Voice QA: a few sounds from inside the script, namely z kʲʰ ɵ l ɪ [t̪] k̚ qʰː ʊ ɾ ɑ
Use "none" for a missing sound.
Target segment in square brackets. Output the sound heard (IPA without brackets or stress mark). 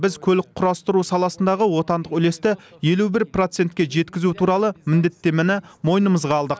none